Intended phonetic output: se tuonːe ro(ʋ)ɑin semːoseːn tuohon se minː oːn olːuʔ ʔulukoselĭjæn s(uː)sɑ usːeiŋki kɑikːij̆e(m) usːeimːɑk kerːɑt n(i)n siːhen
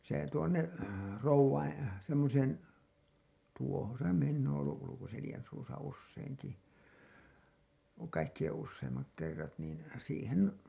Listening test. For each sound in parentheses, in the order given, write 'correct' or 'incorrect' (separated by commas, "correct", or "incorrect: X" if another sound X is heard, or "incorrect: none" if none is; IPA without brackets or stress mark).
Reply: incorrect: ʋː, correct, incorrect: n, incorrect: iː